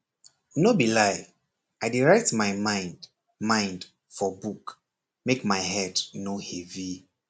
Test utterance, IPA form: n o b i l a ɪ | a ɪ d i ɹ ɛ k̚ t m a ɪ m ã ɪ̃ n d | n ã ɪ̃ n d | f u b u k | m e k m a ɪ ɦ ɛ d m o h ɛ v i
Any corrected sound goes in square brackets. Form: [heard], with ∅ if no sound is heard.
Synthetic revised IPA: n o b i l a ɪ | a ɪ d i ɹ ɛ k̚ t m a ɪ m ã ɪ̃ n d | [m] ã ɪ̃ n d | f [ɔ] b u k | m e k m a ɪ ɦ ɛ d [n] o h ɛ v i

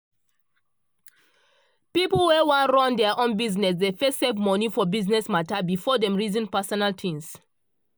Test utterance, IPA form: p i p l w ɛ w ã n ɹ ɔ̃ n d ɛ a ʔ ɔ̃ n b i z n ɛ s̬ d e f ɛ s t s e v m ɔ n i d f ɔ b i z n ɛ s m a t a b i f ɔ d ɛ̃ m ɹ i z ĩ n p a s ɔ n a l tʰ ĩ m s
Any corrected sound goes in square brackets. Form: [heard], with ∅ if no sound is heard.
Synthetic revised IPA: p i p l w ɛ w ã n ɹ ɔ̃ n d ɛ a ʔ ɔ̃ n b i z n ɛ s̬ d e f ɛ s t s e v m ɔ n i [∅] f ɔ b i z n ɛ s m a t a b i f ɔ d ɛ̃ m ɹ i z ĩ n p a s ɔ n a l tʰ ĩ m s

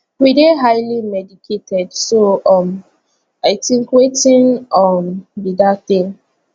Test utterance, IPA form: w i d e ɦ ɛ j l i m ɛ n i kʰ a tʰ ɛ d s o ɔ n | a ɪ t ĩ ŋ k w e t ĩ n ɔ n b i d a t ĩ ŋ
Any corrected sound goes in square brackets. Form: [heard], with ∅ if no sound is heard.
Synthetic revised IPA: w i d e ɦ [a] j l i m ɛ [d] i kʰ [e] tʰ ɛ d s o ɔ [m] | a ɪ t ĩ ŋ k w e t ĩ n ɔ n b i d a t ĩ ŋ

